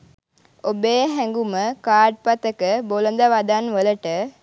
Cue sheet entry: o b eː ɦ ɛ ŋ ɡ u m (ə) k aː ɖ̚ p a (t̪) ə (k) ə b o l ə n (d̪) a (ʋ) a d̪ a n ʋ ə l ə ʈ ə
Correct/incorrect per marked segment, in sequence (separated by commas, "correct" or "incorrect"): correct, correct, correct, correct, correct